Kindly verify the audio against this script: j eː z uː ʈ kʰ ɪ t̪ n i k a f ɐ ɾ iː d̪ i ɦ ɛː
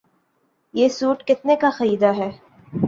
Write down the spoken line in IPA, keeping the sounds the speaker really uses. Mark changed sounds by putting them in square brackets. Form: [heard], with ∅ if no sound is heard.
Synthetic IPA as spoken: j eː [s] uː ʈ [k] ɪ t̪ n [e] k a [x] ɐ ɾ iː d̪ [a] ɦ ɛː